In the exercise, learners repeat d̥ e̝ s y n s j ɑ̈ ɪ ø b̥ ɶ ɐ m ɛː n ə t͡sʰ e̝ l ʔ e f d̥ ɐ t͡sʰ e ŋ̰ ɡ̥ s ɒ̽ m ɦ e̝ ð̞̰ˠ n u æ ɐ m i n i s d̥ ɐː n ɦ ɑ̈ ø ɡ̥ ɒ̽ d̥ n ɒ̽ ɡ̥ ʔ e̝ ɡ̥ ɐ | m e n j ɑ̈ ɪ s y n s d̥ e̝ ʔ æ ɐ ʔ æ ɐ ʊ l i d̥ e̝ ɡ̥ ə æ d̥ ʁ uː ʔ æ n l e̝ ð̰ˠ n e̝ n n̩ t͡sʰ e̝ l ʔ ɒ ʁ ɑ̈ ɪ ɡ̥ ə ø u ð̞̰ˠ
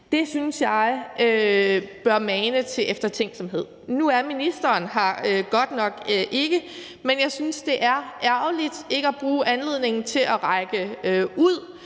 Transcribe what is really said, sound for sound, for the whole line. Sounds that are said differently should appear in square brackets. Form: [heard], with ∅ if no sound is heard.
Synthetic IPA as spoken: d̥ e̝ s y n s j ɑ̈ ɪ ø b̥ ɶ ɐ m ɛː n ə t͡sʰ e̝ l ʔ e f d̥ ɐ t͡sʰ e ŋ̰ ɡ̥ s ɒ̽ m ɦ e̝ ð̞̰ˠ n u æ ɐ m i n i s d̥ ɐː n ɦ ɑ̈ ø ɡ̥ ɒ̽ d̥ n ɒ̽ ɡ̥ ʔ e̝ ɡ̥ [ə] | m e n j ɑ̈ ɪ s y n s d̥ e̝ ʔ æ ɐ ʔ æ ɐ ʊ l i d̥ e̝ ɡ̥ ə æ [b̥] ʁ uː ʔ æ n l e̝ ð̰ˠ n e̝ [ŋ] n̩ t͡sʰ e̝ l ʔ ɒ ʁ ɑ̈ ɪ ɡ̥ ə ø u ð̞̰ˠ

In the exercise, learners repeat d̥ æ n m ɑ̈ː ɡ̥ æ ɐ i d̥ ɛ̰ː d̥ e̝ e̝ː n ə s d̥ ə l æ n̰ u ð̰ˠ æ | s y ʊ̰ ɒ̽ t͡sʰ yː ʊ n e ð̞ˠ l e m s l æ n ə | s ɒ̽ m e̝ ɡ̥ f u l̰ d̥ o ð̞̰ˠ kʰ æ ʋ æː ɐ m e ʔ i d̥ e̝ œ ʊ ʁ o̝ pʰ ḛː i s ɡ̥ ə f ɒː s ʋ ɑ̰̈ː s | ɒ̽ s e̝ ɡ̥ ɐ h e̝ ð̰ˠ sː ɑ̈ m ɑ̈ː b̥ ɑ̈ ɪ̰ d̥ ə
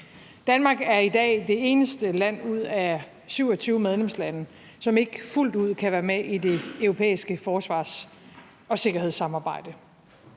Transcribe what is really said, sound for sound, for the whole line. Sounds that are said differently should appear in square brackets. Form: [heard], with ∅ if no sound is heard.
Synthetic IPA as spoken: d̥ æ n m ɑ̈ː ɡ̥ æ ɐ i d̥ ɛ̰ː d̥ e̝ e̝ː n ə s d̥ ə l æ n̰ u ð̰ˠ æ | s y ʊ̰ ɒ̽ t͡sʰ yː ʊ [m] e ð̞ˠ l e m s l æ n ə | s ɒ̽ m e̝ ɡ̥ f u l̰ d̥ [u] ð̞̰ˠ kʰ æ ʋ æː ɐ m e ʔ i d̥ e̝ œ ʊ ʁ o̝ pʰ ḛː i s ɡ̥ ə f ɒː s ʋ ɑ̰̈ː s | ɒ̽ s e̝ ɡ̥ ɐ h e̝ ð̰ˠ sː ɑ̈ m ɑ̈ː b̥ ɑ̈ ɪ̰ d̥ ə

